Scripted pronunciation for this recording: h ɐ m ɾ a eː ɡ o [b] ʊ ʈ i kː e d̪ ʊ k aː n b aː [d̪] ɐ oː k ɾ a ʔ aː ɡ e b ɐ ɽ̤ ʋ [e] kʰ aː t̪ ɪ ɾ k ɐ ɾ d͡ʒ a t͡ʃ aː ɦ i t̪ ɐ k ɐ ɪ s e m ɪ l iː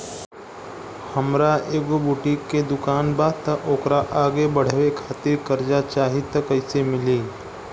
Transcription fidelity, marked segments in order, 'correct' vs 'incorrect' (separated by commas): correct, incorrect, correct